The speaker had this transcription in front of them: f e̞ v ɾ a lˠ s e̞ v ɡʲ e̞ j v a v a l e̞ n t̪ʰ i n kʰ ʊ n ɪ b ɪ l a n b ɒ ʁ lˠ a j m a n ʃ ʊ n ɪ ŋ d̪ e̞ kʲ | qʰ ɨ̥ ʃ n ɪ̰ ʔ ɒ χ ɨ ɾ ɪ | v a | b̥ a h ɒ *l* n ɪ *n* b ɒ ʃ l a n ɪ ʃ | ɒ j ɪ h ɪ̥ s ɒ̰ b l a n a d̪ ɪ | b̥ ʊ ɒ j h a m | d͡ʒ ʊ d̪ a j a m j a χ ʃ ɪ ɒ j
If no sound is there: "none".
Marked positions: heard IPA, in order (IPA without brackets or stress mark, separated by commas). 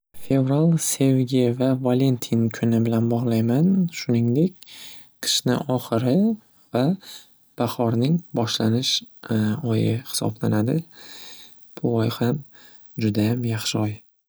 ɾ, ŋ